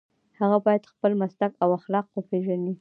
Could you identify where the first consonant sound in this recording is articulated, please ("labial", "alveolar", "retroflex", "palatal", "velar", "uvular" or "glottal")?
glottal